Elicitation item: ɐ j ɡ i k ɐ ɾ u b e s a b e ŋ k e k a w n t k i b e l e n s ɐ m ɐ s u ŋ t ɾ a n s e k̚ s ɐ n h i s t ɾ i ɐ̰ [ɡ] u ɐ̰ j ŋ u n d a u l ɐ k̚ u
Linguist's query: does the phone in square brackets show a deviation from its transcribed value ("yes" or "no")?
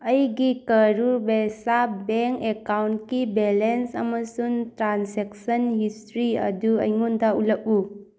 yes